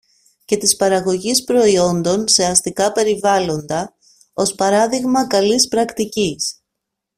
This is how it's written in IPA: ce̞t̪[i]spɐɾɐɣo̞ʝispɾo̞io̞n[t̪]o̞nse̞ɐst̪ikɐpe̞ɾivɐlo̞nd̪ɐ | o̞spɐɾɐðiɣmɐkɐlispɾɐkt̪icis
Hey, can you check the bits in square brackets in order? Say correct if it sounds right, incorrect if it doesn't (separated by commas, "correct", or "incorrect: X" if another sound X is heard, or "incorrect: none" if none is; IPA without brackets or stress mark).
correct, incorrect: d̪